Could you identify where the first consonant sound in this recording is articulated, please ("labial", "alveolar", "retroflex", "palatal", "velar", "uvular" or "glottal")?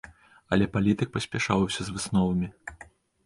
alveolar